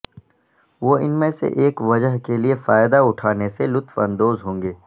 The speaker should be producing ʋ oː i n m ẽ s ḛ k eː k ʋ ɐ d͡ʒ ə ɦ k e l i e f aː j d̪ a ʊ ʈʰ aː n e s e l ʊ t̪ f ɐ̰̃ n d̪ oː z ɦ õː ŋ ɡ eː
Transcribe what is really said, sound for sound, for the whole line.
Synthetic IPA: ʋ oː ɪ n m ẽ s ḛ ʔ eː k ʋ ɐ d͡ʒ ə ɦ k e l i e f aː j d̪ a ʊ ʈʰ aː n e s e l ʊ t̪ f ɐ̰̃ n d̪ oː z ɦ õː ŋ ɡ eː